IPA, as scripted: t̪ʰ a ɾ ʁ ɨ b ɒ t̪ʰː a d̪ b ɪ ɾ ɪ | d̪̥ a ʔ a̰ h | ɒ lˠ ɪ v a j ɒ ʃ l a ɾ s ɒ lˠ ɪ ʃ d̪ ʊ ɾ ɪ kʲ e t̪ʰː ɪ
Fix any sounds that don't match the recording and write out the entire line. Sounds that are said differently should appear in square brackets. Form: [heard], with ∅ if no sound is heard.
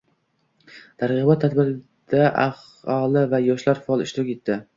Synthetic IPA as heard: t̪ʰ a ɾ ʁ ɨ b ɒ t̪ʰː a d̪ b ɪ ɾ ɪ | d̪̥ a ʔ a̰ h | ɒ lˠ ɪ v a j ɒ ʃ l a ɾ [f] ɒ lˠ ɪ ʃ [t̪] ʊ ɾ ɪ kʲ e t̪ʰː ɪ